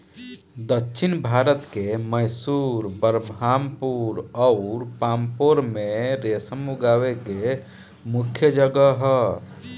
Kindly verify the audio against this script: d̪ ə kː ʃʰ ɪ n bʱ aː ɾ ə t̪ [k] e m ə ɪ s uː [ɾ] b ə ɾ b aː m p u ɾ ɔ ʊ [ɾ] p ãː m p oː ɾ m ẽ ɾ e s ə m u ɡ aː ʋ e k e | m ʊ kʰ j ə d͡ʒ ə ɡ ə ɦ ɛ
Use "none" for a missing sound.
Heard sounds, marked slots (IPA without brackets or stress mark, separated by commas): k, ɾ, ɾ